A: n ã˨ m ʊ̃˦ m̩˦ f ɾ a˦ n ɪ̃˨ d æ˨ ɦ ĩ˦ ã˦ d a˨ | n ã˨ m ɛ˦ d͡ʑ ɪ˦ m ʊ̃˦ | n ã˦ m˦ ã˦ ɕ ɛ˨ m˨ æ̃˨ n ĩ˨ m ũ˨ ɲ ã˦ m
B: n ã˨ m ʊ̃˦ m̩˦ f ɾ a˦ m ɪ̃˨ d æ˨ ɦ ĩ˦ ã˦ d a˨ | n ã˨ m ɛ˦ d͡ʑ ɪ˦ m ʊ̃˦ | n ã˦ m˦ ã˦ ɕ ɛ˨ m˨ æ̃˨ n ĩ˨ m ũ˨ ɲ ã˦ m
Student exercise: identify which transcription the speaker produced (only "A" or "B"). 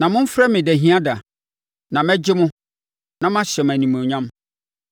B